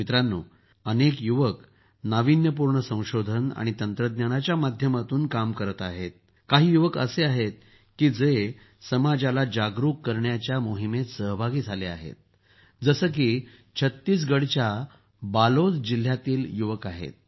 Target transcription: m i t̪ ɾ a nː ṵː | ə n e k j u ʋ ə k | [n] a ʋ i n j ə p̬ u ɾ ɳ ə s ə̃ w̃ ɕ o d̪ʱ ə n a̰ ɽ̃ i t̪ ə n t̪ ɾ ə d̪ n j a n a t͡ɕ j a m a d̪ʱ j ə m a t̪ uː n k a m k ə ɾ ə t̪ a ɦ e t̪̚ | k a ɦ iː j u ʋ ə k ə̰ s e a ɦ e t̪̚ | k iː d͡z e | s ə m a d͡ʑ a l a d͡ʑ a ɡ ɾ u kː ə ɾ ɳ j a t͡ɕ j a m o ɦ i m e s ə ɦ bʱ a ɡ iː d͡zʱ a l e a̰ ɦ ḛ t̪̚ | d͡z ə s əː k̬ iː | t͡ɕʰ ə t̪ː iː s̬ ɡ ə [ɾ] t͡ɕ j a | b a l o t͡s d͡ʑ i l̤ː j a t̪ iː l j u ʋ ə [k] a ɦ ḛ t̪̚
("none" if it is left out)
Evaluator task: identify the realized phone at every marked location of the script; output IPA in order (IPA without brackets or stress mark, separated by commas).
n, ɽ, k